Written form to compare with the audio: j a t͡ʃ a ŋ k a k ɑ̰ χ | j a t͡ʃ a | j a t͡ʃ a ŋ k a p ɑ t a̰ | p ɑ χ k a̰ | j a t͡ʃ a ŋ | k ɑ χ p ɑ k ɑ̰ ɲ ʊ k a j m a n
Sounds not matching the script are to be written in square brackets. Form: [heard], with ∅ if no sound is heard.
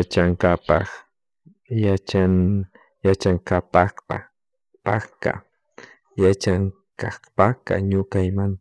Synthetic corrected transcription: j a t͡ʃ a ŋ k a [p] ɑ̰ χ | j a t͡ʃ a | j a t͡ʃ a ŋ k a p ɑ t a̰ | p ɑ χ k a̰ | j a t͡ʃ a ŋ | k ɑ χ p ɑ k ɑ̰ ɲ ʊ k a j m a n